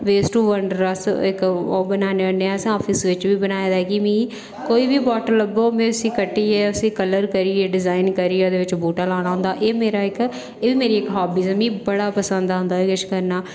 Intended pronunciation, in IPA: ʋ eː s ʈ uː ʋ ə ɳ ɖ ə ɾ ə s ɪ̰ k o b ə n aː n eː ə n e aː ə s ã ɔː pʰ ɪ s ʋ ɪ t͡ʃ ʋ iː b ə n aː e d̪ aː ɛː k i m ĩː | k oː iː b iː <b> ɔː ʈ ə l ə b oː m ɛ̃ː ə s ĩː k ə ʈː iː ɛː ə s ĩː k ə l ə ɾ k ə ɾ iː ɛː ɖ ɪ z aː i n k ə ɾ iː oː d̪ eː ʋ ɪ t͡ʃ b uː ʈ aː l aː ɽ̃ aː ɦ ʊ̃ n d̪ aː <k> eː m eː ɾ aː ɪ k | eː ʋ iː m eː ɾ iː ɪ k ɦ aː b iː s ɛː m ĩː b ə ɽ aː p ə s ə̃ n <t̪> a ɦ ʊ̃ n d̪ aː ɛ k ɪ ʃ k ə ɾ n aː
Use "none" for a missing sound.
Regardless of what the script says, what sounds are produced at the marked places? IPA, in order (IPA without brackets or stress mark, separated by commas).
b, ʔ, d̪